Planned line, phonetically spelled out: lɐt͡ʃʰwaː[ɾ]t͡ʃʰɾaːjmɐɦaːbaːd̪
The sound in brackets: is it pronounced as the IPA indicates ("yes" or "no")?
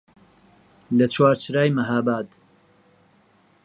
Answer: yes